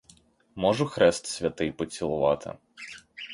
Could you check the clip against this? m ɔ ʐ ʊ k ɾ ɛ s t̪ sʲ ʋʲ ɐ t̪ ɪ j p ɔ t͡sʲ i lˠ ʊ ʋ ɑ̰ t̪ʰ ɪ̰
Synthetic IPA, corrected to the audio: m ɔ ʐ ʊ x ɾ ɛ s t̪ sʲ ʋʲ ɐ t̪ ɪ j p ɔ t͡sʲ i lˠ ʊ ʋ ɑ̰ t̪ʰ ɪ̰

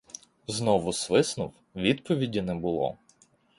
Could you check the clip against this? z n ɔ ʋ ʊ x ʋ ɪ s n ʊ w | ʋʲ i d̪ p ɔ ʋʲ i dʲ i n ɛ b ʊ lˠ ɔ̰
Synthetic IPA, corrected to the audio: z n ɔ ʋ ʊ s ʋ ɪ s n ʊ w | ʋʲ i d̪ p ɔ ʋʲ i dʲ i n ɛ b ʊ lˠ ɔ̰

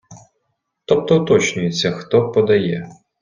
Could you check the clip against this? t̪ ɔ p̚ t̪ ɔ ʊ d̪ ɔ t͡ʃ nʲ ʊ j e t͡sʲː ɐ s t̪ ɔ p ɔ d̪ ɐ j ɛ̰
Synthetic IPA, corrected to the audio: t̪ ɔ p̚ t̪ ɔ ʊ t̪ ɔ t͡ʃ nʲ ʊ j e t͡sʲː ɐ x t̪ ɔ p ɔ d̪ ɐ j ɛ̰

